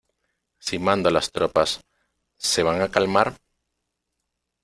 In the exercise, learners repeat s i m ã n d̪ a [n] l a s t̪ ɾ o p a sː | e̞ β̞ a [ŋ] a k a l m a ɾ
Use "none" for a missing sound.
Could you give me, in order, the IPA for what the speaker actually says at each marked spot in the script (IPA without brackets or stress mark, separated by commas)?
none, ŋ